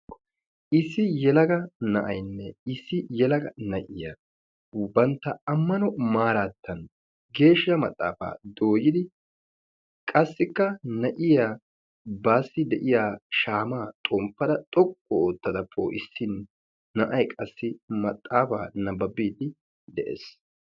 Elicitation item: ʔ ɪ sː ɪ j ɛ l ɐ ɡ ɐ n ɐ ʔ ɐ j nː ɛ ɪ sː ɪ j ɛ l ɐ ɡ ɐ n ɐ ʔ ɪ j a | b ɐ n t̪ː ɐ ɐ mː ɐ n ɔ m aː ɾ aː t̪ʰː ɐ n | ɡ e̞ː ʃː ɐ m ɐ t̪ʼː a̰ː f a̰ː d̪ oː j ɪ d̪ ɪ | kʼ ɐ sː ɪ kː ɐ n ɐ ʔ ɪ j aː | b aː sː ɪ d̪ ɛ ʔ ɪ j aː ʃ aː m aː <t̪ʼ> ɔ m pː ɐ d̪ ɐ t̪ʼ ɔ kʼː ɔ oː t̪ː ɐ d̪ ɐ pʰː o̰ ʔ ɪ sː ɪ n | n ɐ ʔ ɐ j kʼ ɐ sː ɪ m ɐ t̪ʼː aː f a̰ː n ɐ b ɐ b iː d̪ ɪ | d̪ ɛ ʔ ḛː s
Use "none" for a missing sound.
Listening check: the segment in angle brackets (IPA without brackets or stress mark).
t̪ʼ